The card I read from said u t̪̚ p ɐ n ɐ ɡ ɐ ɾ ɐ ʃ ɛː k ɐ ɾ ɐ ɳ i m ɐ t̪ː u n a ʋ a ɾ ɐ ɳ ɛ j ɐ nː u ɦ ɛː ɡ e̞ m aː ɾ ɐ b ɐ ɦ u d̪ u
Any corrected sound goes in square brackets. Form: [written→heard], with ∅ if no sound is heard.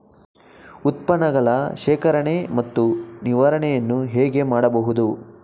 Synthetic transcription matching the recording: u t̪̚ p ɐ n ɐ ɡ ɐ [ɾ→ɭ] ɐ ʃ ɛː k ɐ ɾ ɐ ɳ [i→e] m ɐ t̪ː u n [a→i] ʋ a ɾ ɐ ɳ ɛ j ɐ nː u ɦ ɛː ɡ e̞ m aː [ɾ→ɽ] ɐ b ɐ ɦ u d̪ u